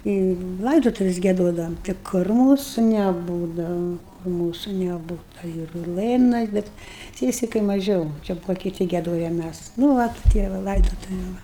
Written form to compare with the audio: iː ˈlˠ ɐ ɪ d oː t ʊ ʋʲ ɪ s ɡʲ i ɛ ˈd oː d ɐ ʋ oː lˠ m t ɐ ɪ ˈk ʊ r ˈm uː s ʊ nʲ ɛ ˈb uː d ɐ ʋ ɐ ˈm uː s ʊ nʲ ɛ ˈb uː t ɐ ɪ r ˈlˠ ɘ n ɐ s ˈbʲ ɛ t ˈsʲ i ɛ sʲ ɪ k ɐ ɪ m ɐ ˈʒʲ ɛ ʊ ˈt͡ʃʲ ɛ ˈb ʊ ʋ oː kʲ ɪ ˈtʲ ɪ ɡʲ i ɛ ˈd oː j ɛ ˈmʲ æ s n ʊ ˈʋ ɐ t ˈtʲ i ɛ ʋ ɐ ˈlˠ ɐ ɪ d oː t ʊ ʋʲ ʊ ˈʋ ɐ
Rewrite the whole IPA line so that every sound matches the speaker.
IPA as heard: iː ˈlˠ ɐ ɪ d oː t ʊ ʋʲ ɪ s ɡʲ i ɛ ˈd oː d ɐ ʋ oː m t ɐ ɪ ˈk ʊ r ˈm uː s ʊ nʲ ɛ ˈb uː d ɐ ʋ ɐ ˈm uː s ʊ nʲ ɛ ˈb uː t ɐ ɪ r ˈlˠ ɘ n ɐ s ˈbʲ ɛ t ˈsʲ i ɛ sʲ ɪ k ɐ ɪ m ɐ ˈʒʲ ɛ ʊ ˈt͡ʃʲ ɛ ˈb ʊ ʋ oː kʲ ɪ ˈtʲ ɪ ɡʲ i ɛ ˈd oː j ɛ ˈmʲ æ s n ʊ ˈʋ ɐ t ˈtʲ i ɛ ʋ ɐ ˈlˠ ɐ ɪ d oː t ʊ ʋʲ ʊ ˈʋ ɐ